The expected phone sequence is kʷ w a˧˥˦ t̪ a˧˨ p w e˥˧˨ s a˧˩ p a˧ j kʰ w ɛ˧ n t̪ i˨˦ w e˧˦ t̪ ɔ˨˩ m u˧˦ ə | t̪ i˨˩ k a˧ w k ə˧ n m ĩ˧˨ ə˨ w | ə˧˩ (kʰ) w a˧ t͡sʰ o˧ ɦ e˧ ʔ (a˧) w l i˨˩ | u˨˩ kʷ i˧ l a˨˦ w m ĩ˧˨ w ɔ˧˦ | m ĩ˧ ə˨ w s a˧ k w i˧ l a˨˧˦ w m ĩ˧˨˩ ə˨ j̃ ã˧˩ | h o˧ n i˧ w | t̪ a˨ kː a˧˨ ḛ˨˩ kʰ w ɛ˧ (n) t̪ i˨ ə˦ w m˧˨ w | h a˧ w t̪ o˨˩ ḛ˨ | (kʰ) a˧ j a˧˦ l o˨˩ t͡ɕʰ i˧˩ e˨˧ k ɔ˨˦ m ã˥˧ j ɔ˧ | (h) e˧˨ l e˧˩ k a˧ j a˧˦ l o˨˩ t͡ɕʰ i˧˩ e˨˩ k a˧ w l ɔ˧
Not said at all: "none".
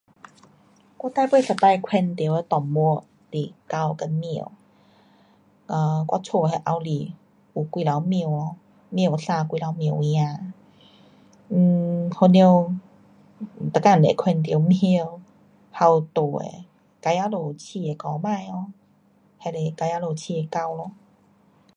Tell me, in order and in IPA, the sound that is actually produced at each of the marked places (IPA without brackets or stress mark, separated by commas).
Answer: k, a˧, n, k, h